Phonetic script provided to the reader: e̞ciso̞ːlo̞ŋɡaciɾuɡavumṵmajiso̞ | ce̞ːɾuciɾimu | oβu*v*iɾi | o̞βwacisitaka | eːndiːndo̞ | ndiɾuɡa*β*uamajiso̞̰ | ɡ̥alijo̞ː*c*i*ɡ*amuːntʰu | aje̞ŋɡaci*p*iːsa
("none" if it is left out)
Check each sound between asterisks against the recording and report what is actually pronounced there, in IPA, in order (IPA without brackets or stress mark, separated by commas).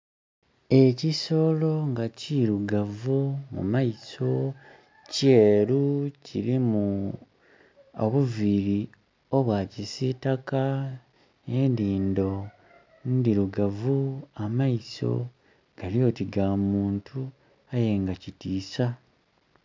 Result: v, v, t, ɡ, t